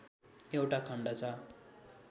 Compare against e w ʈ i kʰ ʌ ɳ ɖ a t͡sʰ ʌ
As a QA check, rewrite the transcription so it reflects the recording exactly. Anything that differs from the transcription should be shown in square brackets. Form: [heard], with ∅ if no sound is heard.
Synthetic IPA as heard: e w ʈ [a] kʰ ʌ ɳ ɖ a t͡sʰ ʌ

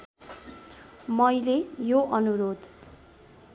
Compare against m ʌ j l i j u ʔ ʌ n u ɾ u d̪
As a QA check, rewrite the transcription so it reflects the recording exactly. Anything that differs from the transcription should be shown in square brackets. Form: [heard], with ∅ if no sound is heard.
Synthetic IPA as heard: m ʌ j l [e] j [o] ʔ ʌ n u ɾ [o] d̪

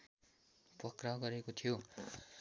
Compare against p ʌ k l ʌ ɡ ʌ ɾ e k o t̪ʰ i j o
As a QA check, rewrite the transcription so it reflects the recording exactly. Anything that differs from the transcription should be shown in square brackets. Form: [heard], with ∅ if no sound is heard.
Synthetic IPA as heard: p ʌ k [r] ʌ ɡ ʌ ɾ e k o t̪ʰ i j o

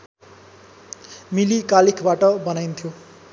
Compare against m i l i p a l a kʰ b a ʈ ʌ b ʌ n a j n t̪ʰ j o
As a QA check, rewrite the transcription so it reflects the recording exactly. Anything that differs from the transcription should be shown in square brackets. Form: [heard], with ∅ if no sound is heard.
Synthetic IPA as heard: m i l i [k] a l [i] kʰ b a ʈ ʌ b ʌ n a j n t̪ʰ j o

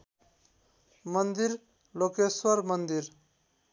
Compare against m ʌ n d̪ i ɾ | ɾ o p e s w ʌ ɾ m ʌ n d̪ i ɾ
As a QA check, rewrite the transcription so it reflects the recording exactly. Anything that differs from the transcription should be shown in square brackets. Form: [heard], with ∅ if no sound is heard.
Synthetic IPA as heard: m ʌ n d̪ i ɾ | [l] o [k] e s w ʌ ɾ m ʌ n d̪ i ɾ

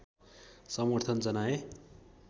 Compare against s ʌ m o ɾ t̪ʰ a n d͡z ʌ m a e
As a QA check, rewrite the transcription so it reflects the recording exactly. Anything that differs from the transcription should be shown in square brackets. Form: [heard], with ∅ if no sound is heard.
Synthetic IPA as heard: s ʌ m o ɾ t̪ʰ [ʌ] n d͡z ʌ [n] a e

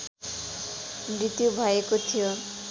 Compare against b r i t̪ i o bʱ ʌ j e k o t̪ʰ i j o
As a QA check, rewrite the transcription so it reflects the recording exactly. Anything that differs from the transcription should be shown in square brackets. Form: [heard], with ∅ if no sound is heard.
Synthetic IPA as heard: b [ɾ] i t̪ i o bʱ [a] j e k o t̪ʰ i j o

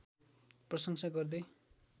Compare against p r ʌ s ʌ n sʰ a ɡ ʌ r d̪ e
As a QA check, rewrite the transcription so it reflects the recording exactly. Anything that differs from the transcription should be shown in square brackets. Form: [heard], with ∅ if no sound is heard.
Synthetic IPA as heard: p r ʌ s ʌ [ŋ] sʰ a ɡ ʌ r d̪ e

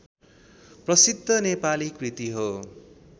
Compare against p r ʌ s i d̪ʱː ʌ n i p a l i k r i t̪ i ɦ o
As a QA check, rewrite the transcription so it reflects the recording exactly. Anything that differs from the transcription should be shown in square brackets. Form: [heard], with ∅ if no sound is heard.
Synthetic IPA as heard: p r ʌ s i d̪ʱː ʌ n [e] p a l i k r i t̪ i ɦ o

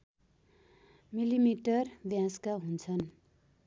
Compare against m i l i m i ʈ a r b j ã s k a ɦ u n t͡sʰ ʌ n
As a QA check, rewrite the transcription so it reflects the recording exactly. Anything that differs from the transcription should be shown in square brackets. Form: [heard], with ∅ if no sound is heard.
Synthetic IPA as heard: m i l i m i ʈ [ʌ] r b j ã s k a ɦ u n t͡sʰ ʌ n

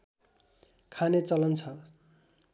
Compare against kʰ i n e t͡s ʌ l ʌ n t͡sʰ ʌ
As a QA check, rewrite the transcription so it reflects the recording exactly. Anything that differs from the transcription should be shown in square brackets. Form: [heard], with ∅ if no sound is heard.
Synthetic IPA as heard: kʰ [a] n e t͡s ʌ l ʌ n t͡sʰ ʌ

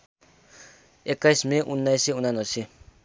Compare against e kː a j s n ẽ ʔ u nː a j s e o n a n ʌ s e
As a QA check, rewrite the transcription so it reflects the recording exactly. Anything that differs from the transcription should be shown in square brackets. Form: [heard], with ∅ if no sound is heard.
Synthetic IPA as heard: e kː a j s [m] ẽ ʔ u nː a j s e [u] n a n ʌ s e

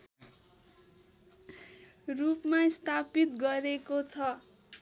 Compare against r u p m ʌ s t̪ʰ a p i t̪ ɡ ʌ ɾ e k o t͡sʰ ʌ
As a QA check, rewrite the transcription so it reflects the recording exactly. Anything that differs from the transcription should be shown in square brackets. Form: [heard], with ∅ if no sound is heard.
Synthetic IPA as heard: r u p m [a] s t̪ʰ a p i t̪ ɡ ʌ ɾ e k o t͡sʰ ʌ

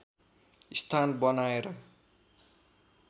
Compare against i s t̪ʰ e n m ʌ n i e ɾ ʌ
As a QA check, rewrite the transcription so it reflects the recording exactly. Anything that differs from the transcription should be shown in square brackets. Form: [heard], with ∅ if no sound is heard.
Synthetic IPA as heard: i s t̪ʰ [a] n [b] ʌ n [a] e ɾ ʌ

